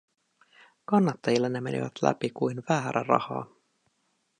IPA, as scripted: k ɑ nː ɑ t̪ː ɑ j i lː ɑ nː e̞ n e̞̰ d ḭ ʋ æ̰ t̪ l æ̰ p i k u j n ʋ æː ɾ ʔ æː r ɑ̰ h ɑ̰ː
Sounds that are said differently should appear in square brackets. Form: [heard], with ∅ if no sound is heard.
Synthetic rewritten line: k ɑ nː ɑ t̪ː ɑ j i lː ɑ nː e̞ [m] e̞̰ [n] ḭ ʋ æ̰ t̪ l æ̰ p i k u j n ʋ æː ɾ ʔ [æ] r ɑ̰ h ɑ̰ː